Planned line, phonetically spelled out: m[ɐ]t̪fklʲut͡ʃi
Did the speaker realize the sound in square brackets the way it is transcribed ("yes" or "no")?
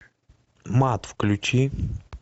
no